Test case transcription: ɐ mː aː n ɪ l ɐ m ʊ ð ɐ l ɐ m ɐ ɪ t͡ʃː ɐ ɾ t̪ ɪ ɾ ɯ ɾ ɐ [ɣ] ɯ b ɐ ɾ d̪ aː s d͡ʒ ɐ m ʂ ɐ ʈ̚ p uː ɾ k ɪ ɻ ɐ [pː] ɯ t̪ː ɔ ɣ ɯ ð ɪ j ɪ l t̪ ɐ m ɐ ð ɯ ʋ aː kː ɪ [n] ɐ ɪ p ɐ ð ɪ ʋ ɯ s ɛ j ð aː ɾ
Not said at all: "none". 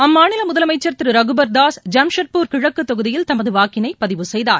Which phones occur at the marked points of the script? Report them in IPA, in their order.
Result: ɣ, kː, n

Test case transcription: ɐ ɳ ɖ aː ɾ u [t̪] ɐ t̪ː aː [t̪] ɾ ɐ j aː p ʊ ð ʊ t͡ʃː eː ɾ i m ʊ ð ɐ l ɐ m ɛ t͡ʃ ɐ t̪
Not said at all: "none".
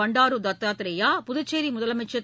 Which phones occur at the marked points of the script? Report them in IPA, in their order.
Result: d̪, t̪

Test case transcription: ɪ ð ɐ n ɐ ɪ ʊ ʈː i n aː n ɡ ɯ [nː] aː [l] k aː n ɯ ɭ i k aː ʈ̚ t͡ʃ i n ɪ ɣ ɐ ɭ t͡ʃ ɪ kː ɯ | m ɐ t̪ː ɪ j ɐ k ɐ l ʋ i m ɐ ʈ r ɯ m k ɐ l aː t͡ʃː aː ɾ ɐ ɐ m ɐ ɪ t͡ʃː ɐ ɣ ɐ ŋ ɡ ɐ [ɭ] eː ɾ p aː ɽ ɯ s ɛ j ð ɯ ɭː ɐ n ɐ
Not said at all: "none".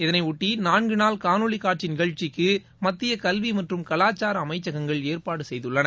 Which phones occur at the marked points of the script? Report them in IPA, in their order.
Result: n, l, ɭ

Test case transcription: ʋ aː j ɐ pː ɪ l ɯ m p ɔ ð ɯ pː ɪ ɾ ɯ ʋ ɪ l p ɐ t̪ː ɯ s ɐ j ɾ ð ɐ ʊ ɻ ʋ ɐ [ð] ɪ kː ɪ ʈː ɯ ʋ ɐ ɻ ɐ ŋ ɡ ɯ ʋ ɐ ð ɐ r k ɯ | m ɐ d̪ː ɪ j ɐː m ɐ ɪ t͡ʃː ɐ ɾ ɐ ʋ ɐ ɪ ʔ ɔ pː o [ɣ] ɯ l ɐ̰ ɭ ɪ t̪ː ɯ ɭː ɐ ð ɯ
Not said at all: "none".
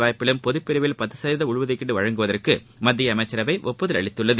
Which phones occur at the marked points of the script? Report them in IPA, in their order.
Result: ð, ð

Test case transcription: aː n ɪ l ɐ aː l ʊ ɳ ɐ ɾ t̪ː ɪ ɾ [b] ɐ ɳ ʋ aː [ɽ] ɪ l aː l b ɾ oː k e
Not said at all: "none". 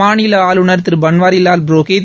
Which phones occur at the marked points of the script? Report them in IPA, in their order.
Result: b, ɾ

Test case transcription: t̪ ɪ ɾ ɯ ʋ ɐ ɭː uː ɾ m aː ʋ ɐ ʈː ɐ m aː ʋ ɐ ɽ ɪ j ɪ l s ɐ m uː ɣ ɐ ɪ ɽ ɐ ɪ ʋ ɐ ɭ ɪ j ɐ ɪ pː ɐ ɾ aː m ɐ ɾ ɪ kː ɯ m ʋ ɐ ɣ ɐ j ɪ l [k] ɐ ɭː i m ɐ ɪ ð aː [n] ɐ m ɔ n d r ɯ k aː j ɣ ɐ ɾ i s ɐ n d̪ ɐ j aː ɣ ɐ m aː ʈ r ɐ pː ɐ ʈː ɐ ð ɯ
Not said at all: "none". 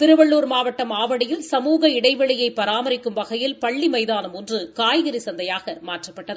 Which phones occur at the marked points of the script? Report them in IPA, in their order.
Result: p, n

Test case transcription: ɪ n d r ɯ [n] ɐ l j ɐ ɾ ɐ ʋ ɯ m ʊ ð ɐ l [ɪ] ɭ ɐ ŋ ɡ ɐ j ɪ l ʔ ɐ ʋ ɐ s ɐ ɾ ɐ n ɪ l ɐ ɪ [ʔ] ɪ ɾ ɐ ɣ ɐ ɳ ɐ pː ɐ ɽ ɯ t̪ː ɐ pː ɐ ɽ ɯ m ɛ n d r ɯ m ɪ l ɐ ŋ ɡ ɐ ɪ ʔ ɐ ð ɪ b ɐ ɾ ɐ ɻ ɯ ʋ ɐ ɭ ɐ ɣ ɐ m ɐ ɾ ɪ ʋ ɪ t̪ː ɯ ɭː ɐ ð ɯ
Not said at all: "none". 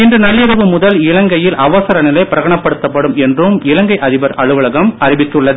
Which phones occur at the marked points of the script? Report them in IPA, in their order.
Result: n, ɪ, p

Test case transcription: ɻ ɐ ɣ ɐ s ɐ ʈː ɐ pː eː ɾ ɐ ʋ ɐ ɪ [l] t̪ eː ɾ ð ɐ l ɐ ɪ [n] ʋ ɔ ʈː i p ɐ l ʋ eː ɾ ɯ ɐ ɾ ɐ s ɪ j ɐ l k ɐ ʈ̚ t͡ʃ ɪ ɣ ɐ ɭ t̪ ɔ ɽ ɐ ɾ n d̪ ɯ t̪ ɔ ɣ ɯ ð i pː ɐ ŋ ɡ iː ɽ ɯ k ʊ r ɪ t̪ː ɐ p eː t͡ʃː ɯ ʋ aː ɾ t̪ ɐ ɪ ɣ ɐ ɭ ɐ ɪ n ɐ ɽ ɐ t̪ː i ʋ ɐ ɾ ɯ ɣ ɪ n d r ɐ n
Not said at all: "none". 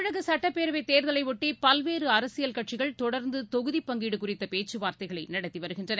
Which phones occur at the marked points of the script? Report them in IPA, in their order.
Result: none, none

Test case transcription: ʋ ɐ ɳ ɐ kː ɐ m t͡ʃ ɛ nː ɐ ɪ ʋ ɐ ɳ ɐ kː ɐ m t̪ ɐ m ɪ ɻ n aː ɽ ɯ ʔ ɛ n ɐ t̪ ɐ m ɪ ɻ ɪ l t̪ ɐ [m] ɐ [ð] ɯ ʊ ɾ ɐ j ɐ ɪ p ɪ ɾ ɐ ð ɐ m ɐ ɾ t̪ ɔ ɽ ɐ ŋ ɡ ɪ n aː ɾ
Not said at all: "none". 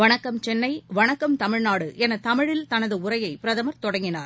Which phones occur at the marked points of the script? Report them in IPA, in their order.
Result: n, ð

